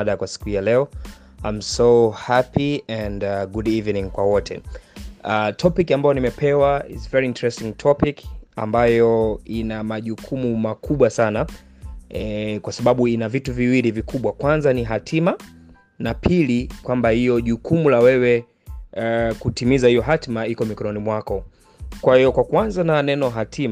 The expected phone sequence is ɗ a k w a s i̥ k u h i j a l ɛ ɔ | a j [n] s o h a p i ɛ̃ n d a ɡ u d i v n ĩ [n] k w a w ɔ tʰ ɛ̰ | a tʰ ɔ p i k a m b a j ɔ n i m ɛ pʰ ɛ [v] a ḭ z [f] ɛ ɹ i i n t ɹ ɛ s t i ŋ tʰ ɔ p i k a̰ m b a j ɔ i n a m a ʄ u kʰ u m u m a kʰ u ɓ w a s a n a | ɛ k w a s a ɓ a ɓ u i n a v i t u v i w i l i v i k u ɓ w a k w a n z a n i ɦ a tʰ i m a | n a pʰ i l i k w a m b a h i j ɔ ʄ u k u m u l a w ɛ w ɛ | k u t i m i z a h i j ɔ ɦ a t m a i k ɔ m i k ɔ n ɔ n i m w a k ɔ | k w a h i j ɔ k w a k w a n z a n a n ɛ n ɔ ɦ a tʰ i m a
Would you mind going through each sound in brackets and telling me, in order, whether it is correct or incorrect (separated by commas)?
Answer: incorrect, incorrect, incorrect, incorrect